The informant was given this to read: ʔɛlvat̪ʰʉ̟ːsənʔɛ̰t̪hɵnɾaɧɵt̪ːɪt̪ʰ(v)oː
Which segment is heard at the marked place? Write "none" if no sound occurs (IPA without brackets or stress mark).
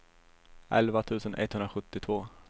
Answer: v